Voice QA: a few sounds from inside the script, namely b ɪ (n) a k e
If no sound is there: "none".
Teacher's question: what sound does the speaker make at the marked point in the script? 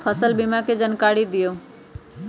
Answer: m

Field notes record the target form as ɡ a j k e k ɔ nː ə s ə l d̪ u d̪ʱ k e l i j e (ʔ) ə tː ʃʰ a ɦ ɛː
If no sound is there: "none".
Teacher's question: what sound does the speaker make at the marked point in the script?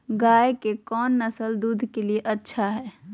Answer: ʔ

